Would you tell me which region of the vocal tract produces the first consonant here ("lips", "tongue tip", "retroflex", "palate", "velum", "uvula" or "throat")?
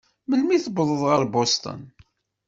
lips